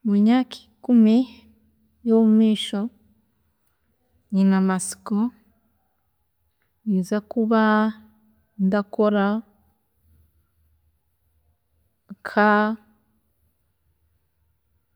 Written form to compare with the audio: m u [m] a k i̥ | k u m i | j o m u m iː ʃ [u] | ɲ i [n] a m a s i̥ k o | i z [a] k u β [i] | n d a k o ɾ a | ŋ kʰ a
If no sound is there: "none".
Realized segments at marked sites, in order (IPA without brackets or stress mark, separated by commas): ɲ, o, n, a, a